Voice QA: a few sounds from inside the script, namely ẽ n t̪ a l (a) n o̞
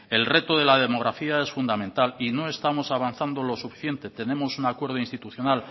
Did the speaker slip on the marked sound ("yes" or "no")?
yes